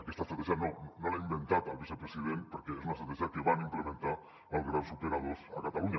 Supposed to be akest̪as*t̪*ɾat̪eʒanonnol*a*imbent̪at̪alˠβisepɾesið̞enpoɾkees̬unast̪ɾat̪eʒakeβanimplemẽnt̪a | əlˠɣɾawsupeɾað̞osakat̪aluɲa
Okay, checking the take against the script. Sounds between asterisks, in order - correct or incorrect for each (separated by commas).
correct, correct